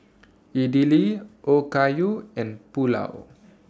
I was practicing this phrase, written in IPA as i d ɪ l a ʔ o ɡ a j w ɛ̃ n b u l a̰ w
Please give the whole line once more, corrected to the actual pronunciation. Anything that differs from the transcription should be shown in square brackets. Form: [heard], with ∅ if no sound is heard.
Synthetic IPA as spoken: i d [i] l [i] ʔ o [k] a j [u] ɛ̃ n [p] u l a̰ w